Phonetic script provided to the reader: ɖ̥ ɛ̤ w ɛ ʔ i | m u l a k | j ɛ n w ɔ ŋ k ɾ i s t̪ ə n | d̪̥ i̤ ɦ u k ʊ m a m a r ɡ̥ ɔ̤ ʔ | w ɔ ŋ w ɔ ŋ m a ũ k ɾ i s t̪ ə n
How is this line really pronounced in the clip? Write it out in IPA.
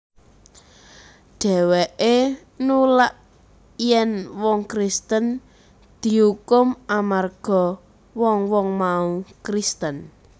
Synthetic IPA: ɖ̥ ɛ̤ w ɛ ʔ e | n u l a ʔ | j ɛ n w ɔ ŋ k ɾ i s t̪ ə n | d̪̥ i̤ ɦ u k ʊ m a m a r ɡ̥ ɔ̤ | w ɔ ŋ w ɔ ŋ m a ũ k ɾ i s t̪ ə n